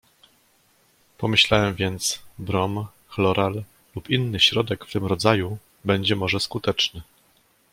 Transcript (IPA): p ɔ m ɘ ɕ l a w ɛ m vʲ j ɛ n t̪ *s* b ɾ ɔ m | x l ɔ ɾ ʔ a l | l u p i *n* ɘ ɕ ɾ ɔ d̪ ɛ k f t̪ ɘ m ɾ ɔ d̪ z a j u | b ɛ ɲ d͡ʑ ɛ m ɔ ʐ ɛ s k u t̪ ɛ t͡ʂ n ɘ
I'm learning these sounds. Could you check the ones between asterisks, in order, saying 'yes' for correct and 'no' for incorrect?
yes, no

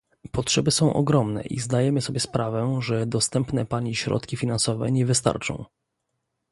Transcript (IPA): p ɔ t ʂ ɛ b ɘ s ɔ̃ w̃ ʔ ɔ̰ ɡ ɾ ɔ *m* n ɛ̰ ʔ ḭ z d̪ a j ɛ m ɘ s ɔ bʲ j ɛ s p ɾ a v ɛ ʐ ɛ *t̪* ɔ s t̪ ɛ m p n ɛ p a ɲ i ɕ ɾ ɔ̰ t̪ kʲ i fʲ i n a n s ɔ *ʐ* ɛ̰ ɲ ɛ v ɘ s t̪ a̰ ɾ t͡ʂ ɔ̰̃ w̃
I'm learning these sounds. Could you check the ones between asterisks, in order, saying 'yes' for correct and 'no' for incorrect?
yes, no, no

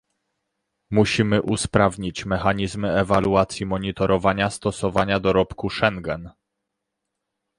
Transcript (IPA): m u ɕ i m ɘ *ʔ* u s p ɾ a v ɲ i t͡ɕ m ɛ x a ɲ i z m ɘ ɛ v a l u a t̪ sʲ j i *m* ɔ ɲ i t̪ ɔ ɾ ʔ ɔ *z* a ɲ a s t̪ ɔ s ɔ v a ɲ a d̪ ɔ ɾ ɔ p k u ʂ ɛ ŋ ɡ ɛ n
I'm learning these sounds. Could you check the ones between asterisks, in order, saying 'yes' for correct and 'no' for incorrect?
yes, yes, no

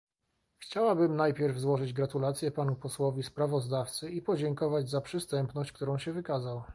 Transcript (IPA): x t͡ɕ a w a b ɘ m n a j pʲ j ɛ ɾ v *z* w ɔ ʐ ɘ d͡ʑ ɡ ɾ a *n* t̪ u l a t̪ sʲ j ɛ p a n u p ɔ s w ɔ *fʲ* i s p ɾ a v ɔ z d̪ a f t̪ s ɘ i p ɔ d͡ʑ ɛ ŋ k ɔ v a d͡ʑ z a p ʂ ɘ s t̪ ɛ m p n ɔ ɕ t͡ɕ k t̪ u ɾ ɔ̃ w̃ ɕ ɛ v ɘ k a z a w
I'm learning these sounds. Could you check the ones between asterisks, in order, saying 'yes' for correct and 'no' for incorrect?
yes, no, no

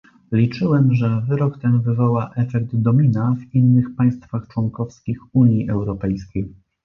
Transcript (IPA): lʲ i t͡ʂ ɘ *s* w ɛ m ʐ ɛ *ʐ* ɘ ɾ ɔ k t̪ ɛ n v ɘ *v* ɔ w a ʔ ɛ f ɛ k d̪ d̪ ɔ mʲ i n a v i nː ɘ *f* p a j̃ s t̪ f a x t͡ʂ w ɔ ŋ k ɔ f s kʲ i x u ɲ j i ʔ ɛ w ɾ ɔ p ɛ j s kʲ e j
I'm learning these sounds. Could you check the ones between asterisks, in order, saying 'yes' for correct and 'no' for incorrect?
no, no, yes, no

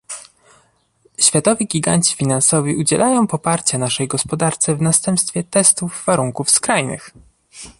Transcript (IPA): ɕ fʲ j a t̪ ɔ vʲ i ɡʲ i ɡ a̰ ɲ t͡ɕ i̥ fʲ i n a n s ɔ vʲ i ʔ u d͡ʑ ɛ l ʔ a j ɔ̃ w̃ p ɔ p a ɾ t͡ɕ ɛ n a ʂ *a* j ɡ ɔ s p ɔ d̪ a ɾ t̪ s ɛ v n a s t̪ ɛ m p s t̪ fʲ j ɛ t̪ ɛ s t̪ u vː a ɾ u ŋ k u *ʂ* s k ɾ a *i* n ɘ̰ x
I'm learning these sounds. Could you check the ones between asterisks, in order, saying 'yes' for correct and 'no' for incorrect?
no, no, no

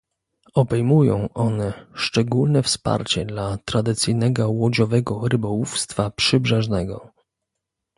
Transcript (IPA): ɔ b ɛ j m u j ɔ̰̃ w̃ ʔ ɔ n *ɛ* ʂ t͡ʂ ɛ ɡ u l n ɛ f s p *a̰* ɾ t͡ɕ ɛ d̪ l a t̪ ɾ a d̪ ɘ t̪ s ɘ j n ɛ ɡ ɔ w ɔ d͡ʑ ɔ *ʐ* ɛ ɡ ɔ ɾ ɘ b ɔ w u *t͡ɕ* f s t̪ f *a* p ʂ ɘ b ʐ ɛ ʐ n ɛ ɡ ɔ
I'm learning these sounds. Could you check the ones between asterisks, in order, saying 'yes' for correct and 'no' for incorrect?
yes, yes, no, no, yes

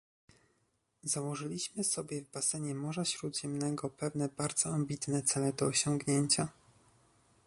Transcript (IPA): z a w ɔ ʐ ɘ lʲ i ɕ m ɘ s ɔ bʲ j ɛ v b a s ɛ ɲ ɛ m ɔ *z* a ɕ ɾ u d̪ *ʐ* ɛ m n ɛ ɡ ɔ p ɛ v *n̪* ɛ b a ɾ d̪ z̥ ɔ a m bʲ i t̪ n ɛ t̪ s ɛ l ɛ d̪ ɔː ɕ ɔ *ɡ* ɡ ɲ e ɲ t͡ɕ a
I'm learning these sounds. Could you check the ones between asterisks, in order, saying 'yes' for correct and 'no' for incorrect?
no, no, yes, no

